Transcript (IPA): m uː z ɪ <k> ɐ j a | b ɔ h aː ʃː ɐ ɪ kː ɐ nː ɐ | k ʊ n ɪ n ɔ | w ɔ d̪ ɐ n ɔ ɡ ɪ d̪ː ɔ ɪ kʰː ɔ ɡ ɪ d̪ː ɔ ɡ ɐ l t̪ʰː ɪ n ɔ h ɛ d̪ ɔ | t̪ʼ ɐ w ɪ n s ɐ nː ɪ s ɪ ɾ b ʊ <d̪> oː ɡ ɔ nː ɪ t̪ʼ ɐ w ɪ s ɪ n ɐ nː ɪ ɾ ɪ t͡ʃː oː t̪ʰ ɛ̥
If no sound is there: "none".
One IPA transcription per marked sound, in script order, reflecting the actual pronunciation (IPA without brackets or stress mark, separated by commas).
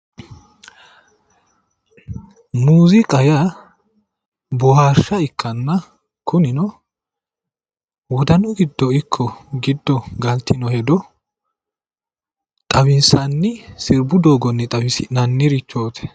kʼ, d̪